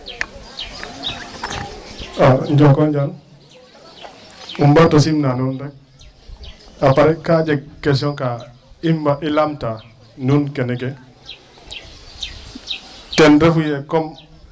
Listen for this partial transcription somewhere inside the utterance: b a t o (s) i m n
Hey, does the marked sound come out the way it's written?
yes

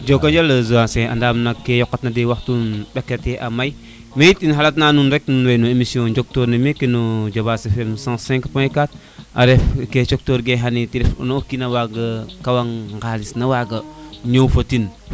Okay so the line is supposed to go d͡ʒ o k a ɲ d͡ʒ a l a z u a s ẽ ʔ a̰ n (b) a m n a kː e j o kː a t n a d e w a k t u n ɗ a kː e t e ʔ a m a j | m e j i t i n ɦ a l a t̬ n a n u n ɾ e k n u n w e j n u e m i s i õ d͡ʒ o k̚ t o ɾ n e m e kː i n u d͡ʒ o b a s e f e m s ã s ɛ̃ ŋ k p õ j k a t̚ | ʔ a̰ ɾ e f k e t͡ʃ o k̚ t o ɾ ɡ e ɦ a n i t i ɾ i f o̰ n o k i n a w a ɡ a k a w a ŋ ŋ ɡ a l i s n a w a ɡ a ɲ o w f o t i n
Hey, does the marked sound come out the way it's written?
no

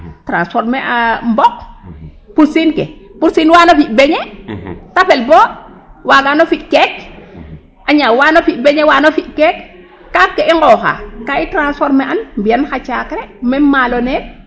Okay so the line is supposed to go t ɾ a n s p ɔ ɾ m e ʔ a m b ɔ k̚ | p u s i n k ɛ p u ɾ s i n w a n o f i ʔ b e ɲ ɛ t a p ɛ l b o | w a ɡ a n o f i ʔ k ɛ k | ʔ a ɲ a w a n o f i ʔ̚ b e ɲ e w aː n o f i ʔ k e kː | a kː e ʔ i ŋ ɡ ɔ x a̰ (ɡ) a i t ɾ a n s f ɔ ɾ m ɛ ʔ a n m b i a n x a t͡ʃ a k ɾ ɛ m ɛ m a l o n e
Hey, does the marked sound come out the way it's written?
no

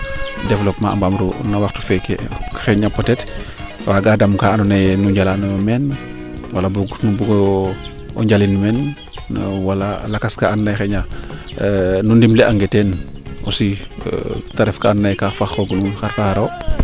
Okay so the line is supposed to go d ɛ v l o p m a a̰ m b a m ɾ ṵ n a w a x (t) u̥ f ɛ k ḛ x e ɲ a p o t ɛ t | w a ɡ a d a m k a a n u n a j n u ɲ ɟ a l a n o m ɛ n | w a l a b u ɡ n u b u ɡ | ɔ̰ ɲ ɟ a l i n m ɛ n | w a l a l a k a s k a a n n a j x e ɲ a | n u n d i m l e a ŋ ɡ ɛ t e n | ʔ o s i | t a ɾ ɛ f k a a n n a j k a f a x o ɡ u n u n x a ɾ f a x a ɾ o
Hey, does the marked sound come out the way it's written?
yes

